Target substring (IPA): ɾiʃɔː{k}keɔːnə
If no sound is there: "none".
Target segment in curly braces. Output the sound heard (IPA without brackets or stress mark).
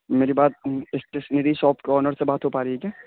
p